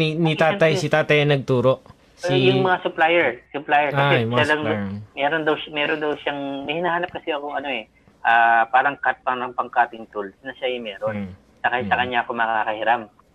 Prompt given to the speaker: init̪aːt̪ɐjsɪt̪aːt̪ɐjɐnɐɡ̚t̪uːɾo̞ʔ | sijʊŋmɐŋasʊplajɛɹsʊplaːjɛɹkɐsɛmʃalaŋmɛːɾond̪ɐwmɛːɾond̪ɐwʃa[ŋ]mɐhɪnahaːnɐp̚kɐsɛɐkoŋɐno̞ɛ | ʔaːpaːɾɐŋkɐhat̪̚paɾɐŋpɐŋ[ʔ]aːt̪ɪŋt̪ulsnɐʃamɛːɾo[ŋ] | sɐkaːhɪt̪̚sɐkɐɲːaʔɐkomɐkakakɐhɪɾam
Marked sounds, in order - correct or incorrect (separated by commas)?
correct, incorrect, incorrect